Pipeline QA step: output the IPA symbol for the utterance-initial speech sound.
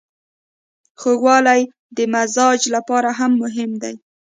x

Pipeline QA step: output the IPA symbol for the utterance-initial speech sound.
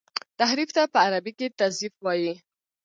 t̪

